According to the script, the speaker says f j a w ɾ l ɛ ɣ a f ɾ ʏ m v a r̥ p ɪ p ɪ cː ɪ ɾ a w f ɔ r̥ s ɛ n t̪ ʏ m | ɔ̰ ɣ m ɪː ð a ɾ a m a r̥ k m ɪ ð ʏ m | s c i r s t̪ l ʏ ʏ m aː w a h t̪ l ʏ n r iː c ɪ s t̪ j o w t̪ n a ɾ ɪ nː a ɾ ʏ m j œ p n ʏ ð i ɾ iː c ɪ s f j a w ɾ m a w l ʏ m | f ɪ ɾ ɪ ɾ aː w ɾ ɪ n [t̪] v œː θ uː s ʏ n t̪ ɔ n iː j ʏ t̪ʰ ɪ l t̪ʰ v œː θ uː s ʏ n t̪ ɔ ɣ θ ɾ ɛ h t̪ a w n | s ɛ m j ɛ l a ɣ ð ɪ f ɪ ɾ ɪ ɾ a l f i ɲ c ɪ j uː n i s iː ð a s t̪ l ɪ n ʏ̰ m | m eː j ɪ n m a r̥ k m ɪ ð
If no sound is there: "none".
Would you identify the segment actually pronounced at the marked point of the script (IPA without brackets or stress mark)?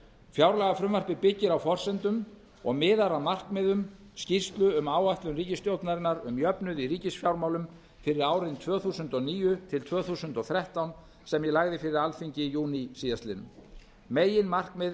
t̪ʰ